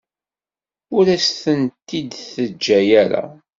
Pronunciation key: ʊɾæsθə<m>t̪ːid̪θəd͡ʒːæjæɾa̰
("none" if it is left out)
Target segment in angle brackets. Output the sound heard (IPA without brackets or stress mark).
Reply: n